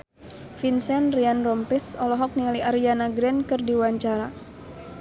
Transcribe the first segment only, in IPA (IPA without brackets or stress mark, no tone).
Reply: f